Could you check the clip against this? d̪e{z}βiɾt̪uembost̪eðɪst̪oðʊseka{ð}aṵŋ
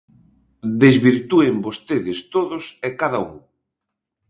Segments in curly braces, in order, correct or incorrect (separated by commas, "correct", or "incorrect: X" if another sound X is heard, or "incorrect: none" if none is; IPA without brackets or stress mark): correct, correct